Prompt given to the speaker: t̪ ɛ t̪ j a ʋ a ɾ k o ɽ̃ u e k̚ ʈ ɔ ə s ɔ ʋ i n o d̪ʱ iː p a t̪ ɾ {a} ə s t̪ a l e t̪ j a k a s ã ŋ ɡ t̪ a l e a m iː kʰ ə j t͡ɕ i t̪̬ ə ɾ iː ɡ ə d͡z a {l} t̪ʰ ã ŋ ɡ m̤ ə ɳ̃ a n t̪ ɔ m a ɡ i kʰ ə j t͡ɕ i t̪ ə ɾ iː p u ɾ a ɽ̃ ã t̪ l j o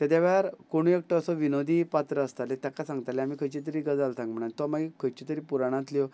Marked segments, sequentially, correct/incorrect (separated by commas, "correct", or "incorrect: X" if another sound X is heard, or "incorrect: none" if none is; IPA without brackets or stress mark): incorrect: ə, correct